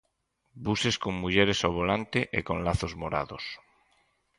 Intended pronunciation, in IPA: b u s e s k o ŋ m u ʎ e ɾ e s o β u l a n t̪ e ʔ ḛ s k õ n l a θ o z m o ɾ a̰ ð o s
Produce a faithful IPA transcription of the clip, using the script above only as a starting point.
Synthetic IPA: b u s e s k o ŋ m u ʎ e ɾ e s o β o l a n t̪ e ʔ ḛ k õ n l a θ o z m o ɾ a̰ ð o s